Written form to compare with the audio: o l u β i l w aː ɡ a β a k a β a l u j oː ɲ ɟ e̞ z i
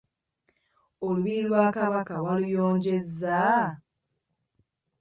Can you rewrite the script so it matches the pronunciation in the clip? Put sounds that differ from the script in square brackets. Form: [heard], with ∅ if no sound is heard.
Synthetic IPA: o l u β i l w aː [k] a β a k a [w] a l u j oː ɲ ɟ e̞ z [a]